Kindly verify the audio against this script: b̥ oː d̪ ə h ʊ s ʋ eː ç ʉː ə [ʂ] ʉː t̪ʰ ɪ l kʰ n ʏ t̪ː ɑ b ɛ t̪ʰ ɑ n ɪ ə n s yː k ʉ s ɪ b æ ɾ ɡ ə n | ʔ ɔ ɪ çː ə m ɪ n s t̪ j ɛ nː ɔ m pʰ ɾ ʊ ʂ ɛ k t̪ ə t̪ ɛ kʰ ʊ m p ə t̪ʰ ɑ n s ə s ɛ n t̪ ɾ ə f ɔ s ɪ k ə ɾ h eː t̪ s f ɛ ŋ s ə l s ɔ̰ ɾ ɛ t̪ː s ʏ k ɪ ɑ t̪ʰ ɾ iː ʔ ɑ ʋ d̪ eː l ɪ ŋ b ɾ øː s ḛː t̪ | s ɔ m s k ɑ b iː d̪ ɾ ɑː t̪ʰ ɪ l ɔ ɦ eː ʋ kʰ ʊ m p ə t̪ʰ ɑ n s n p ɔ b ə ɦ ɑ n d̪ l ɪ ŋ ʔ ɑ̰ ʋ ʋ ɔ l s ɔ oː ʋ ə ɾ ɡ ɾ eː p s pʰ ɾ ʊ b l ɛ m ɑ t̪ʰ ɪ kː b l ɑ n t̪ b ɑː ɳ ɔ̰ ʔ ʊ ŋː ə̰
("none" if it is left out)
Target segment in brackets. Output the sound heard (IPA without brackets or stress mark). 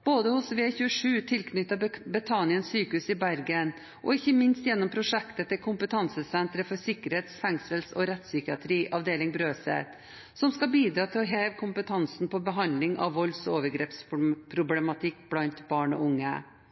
ʂ